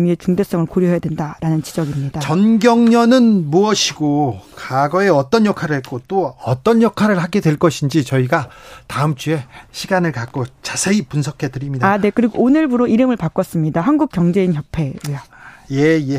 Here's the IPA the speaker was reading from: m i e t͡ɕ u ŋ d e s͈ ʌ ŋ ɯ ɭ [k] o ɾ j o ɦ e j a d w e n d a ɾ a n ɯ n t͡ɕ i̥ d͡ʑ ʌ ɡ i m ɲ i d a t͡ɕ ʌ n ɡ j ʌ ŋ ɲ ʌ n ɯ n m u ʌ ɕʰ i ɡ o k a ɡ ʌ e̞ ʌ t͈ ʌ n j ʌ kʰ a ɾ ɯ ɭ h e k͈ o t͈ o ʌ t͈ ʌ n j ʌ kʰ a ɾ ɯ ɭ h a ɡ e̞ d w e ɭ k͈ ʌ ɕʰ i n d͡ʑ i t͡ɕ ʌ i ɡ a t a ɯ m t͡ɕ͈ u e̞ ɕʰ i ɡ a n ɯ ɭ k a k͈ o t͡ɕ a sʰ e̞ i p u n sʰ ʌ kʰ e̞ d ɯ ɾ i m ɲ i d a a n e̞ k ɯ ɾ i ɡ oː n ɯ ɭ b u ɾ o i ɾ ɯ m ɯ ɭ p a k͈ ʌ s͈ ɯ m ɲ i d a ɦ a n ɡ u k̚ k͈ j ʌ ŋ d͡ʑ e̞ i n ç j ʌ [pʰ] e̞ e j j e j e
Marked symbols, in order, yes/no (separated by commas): yes, yes